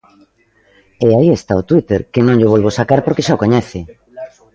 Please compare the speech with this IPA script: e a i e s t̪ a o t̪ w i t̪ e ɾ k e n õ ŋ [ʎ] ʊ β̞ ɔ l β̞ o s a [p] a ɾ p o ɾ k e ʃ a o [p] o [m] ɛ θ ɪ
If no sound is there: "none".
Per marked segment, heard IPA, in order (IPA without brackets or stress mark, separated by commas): ʎ, k, k, ɲ